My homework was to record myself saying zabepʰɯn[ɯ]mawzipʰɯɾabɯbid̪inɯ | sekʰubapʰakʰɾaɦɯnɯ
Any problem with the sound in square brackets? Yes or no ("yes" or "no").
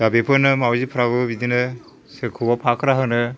no